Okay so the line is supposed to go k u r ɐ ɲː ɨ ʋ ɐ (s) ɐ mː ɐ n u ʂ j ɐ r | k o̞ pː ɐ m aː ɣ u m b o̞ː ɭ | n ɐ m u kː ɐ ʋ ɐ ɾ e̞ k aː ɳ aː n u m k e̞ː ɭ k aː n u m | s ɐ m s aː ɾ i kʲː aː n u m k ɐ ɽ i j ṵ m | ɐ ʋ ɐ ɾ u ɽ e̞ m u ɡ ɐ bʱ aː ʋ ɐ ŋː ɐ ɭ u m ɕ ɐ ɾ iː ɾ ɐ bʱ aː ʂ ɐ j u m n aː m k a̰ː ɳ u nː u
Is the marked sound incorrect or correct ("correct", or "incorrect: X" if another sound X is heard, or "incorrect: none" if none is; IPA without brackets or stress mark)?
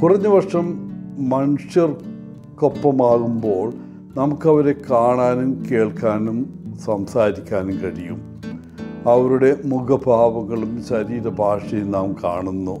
incorrect: ʂ